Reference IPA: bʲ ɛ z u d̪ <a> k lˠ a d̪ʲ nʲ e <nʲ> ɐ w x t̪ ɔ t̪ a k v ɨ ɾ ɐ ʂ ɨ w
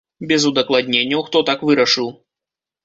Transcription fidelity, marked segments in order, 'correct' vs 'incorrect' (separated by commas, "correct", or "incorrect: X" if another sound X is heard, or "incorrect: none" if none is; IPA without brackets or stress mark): incorrect: ɐ, incorrect: nʲː